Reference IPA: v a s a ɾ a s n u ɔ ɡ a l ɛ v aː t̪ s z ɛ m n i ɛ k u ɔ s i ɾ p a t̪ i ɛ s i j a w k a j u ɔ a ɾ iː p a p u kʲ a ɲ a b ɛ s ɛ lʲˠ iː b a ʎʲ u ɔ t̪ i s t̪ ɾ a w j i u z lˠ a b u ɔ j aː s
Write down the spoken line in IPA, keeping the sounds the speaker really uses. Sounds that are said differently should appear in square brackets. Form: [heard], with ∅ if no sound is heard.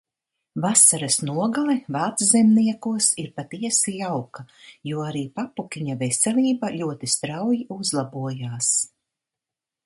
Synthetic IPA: v a s a ɾ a s n u ɔ ɡ a l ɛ v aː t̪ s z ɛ m n i ɛ k u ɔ s i ɾ p a t̪ i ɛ s i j a w k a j u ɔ a ɾ iː p a p u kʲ [i] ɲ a [v] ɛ s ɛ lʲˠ iː b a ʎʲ u ɔ t̪ i s t̪ ɾ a w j i u z lˠ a b u ɔ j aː s